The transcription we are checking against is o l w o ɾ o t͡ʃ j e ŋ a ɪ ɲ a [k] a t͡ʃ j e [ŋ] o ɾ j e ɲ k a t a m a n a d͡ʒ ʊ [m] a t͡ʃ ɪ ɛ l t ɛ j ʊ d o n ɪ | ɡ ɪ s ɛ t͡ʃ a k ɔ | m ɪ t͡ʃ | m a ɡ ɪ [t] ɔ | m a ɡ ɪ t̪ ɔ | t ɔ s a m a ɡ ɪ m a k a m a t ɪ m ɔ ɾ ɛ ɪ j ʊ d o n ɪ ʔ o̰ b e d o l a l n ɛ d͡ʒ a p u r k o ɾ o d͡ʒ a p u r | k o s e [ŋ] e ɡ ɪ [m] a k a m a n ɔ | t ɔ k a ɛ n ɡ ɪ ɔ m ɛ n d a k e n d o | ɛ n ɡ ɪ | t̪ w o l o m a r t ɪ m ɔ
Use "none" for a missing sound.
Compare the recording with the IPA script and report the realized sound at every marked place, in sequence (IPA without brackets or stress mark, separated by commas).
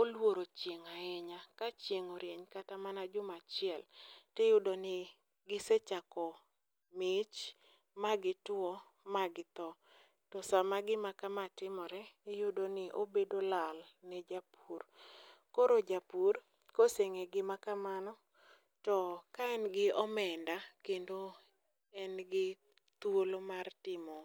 k, ŋ, m, t, ŋ, m